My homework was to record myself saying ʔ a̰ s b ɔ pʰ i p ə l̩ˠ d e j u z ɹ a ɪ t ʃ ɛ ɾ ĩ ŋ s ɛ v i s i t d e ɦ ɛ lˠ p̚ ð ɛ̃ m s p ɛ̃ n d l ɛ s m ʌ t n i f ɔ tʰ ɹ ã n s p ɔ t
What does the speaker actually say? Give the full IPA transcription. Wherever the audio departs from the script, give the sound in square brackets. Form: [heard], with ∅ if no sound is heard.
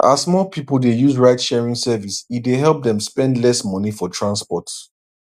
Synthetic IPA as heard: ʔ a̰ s [m] ɔ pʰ i p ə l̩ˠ d e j u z ɹ a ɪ t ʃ ɛ [ɹ] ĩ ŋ s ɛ v i s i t d e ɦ ɛ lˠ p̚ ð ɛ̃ m s p ɛ̃ n d l ɛ s m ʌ [∅] n i f ɔ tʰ ɹ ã n s p ɔ t